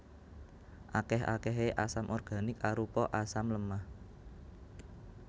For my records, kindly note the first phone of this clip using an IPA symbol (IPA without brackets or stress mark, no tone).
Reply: ʔ